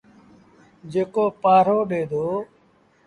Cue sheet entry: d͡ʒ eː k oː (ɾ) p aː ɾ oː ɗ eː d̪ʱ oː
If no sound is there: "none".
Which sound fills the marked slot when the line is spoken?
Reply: none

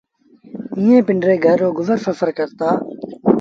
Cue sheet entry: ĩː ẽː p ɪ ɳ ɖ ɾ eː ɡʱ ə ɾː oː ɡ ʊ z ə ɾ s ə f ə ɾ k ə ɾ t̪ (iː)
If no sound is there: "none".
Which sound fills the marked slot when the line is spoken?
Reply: aː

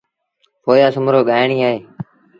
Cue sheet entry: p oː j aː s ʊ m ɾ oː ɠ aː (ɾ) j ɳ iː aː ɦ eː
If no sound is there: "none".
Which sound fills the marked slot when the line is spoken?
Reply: none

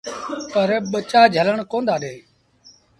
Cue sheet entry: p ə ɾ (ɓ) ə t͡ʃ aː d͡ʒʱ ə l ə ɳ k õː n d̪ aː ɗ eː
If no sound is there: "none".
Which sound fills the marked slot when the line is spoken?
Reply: ɓ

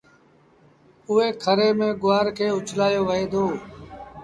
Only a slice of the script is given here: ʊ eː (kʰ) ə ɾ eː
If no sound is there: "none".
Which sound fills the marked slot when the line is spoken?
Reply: kʰ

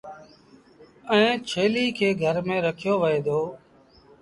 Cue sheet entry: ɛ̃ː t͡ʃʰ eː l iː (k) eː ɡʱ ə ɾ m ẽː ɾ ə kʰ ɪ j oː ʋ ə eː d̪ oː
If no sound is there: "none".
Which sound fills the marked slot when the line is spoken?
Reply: kʰ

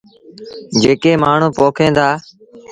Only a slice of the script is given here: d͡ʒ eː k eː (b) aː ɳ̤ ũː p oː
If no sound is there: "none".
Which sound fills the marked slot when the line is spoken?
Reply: m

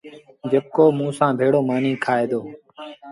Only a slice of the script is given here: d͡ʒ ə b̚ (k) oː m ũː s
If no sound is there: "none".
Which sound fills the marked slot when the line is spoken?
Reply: k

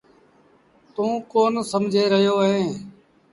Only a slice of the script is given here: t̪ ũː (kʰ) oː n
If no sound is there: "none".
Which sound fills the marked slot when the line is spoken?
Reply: k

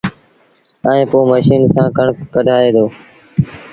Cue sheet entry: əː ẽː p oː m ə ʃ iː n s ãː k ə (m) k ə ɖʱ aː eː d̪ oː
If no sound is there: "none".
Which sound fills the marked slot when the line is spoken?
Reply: ɳ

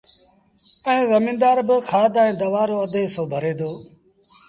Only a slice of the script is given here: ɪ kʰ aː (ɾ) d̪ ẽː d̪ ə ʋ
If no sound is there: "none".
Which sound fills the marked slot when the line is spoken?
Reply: none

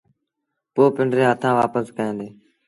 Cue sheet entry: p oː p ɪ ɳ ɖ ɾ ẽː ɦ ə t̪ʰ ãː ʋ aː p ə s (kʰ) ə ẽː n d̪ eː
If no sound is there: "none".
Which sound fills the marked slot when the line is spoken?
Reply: k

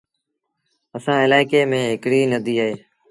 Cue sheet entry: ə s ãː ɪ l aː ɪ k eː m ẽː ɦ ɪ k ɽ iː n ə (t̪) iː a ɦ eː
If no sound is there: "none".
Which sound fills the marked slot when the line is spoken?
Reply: d̪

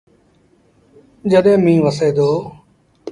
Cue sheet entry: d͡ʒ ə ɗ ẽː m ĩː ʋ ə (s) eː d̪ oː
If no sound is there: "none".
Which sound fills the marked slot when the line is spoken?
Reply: s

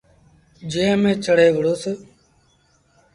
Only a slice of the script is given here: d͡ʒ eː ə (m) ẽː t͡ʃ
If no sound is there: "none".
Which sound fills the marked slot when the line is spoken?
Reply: m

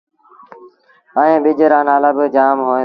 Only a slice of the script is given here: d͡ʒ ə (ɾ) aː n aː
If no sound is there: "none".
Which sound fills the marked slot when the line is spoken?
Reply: ɾ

